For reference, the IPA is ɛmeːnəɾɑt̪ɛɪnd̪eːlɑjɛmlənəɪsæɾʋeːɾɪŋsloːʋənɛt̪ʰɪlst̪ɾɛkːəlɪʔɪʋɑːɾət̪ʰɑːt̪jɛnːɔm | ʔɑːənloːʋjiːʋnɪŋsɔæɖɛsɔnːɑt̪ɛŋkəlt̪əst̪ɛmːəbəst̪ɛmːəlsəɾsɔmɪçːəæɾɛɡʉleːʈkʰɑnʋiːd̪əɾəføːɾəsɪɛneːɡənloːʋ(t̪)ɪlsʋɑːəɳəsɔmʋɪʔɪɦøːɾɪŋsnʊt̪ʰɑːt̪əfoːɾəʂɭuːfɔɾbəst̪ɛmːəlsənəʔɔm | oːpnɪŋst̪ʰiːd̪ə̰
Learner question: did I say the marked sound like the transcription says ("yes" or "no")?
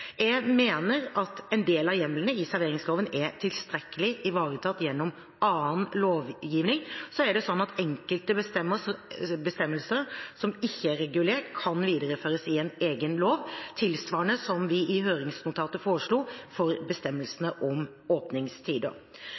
no